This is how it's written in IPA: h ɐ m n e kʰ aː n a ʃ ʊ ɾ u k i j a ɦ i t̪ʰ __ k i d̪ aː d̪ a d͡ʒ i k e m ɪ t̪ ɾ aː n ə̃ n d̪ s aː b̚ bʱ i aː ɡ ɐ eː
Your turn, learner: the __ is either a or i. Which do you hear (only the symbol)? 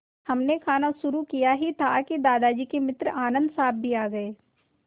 a